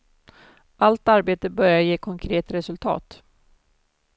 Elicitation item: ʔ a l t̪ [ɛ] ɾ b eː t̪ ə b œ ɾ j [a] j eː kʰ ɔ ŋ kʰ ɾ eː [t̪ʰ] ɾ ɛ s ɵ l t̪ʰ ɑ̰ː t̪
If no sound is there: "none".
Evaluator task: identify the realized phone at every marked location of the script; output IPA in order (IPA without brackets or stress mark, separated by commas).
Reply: a, a, t̪